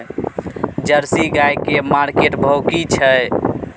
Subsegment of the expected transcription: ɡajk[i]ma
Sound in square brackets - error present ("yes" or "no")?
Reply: yes